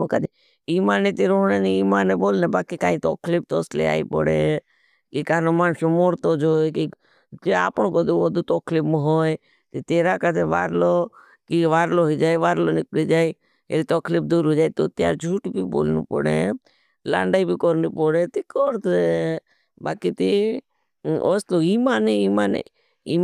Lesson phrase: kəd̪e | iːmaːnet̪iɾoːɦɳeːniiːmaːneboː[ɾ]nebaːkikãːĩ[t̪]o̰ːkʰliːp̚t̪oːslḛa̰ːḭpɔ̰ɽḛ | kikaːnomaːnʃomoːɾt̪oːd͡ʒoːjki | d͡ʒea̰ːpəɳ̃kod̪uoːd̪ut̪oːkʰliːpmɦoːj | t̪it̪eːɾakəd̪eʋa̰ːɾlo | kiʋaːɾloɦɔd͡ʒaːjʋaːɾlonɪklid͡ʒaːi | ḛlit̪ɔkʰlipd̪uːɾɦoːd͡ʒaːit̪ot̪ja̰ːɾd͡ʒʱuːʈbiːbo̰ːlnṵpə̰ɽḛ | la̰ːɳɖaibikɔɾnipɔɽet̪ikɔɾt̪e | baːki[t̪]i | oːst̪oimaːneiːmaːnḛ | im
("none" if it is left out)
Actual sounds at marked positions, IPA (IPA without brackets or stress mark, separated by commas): l, t̪, t̪